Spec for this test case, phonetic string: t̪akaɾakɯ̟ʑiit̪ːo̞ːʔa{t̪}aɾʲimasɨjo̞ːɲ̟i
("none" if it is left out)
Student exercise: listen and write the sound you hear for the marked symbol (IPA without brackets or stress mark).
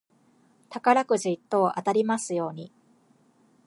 t̪